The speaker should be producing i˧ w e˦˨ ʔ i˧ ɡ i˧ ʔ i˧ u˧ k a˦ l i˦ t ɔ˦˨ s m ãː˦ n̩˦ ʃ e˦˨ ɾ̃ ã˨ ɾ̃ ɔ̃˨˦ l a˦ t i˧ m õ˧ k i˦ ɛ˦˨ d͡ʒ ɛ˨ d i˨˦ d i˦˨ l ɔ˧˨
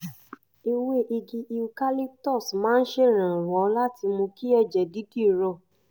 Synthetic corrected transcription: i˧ w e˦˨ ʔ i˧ ɡ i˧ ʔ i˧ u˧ k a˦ l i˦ t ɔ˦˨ s m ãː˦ n̩˦ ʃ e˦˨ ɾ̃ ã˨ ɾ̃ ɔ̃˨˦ l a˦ t i˧ m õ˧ k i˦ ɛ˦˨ d͡ʒ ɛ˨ d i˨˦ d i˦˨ ɾ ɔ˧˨